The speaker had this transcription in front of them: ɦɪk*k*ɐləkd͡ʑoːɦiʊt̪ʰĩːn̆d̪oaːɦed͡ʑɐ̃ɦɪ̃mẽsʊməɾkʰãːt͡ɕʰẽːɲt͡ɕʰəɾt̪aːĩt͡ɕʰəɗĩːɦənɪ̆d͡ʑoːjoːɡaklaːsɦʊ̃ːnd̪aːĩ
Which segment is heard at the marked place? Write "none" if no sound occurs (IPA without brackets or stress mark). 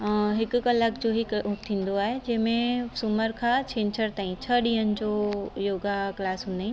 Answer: k